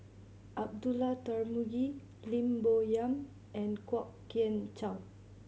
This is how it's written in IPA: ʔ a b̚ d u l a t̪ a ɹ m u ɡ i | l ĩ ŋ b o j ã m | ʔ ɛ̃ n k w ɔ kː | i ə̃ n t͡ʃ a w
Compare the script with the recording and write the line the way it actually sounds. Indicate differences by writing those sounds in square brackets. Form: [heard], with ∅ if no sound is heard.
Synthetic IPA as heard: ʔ a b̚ d u l a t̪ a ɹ m u ɡ i | l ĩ [m] b o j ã m | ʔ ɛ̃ n k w ɔ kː | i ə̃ n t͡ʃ a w